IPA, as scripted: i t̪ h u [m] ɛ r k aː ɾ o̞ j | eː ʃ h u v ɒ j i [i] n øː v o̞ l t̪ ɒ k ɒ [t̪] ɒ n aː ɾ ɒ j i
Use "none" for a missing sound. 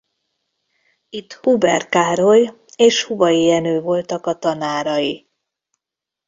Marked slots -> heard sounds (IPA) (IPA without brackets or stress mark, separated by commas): b, ɛ, t̪